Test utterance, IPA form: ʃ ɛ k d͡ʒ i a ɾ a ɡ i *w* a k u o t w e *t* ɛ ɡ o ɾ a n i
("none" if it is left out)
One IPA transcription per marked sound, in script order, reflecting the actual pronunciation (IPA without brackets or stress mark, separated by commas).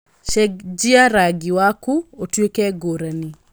w, k